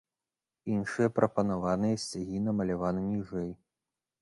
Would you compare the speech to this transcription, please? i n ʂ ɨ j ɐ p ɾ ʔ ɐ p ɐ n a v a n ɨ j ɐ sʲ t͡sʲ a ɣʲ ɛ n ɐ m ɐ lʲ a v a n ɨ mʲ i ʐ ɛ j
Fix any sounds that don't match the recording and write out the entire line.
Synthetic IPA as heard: i n ʂ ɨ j ɐ p ɾ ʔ ɐ p ɐ n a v a n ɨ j ɐ sʲ t͡sʲ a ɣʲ i n ɐ m ɐ lʲ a v a n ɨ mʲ i ʐ ɛ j

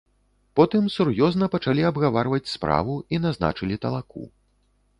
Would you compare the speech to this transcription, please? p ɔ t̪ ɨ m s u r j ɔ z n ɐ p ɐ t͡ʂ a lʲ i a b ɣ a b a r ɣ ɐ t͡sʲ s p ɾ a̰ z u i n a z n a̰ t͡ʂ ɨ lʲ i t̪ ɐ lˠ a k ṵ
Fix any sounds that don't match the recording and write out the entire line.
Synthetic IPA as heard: p ɔ t̪ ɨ m s u r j ɔ z n ɐ p ɐ t͡ʂ a lʲ i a b ɣ a v a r v ɐ t͡sʲ s p ɾ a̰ v u i n a z n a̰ t͡ʂ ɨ lʲ i t̪ ɐ lˠ a k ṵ

